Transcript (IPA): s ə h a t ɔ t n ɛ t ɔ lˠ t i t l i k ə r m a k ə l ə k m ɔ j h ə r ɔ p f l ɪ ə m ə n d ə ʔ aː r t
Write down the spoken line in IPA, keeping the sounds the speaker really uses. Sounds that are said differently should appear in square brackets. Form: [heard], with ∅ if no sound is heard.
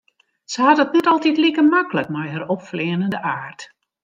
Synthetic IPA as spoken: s ə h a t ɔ t n ɛ t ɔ lˠ t i t l i k ə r m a k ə l ə k m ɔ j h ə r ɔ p f l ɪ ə [n] ə n d ə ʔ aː r t